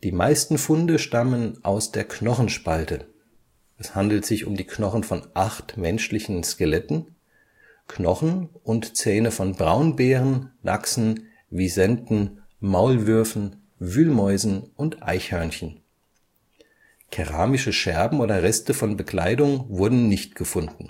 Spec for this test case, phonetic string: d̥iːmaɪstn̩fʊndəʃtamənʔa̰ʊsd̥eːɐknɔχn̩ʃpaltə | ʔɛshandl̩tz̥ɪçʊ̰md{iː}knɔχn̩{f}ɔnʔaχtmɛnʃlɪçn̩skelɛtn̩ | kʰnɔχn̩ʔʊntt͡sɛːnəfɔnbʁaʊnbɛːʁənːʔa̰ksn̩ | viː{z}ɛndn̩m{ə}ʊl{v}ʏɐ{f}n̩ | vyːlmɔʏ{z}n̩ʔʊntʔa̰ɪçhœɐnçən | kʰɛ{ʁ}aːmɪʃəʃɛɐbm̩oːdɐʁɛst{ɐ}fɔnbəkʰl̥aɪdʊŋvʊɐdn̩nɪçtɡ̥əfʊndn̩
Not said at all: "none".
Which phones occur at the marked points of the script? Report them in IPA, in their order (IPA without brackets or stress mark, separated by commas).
iː, f, z, a, v, f, z, ʁ, ə